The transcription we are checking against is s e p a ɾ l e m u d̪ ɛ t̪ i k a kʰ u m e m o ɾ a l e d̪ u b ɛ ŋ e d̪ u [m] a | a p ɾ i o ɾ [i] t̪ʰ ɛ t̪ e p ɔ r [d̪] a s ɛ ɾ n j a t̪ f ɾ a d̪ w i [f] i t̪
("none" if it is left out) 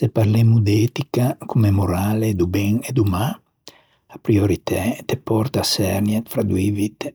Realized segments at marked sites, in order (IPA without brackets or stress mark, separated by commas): m, i, t̪, v